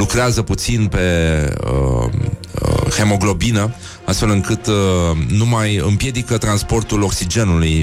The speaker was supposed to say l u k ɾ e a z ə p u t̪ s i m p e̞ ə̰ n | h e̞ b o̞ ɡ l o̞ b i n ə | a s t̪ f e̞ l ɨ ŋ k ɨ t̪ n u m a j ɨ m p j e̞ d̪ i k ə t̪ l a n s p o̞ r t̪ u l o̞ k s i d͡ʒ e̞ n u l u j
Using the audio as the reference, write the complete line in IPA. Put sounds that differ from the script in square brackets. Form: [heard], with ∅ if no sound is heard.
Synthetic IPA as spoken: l u k ɾ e a z ə p u t̪ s i [n] p e̞ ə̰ [∅] | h e̞ [m] o̞ ɡ l o̞ b i n ə | a s t̪ f e̞ l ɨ ŋ k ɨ t̪ n u m a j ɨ m p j e̞ d̪ i k ə t̪ [ɾ] a n s p o̞ r t̪ u l o̞ k s i d͡ʒ e̞ n u l u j